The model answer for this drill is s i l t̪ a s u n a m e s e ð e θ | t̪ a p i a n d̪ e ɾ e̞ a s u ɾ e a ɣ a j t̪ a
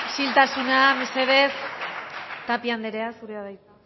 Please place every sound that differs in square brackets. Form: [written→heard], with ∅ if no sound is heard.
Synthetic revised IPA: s i l t̪ a s u n a m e s e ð e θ | t̪ a p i a n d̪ e ɾ e̞ a s u ɾ e a [ɣ→ð] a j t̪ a